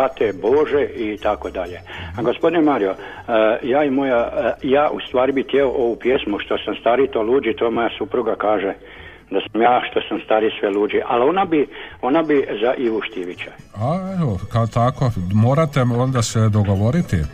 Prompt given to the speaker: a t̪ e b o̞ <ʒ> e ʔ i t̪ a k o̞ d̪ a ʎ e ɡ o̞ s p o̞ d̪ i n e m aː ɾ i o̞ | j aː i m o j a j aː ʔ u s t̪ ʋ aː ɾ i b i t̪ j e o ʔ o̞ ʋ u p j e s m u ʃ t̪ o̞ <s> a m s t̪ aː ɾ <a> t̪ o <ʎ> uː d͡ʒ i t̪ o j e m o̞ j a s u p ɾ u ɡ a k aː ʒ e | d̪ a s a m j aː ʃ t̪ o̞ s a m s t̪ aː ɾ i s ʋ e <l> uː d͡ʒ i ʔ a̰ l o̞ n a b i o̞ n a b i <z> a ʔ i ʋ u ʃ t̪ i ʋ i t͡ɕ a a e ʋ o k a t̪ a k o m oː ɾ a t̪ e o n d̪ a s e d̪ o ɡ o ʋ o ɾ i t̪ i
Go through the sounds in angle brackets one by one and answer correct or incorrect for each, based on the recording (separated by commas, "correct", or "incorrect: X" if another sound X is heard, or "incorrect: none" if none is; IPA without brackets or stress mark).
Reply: correct, correct, incorrect: i, incorrect: l, correct, correct